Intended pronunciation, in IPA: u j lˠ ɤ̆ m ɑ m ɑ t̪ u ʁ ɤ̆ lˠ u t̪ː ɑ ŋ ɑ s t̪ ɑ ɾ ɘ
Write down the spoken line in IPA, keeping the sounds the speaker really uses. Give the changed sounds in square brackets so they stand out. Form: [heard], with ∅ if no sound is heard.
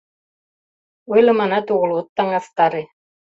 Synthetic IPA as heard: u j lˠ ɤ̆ m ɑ [n] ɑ t̪ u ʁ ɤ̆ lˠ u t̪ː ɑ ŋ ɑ s t̪ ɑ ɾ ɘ